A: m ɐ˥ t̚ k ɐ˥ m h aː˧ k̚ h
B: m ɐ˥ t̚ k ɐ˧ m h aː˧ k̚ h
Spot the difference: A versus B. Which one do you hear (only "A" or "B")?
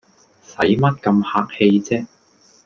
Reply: B